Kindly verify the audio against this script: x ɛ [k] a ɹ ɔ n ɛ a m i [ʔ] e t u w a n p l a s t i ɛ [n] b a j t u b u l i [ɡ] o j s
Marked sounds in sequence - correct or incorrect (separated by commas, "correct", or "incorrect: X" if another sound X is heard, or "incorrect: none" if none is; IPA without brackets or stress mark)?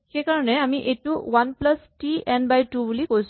correct, correct, correct, incorrect: k